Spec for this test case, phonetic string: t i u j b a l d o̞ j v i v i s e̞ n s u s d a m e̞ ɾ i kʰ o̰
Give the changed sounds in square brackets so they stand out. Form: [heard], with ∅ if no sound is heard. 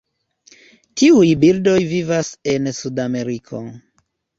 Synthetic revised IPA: t i u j b [i] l d o̞ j v i v [a] s e̞ n s u [∅] d a m e̞ ɾ i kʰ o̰